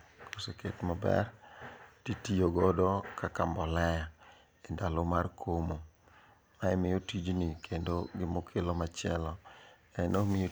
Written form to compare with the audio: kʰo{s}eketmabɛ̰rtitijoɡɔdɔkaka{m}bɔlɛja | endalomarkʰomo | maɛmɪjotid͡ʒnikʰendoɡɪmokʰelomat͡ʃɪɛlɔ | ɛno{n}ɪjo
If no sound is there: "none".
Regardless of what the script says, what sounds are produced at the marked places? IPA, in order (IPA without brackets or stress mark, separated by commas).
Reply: s, m, m